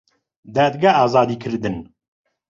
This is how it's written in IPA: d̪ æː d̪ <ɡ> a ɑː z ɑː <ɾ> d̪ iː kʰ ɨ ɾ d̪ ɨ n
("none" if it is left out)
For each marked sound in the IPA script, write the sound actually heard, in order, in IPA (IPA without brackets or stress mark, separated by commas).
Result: ɡ, none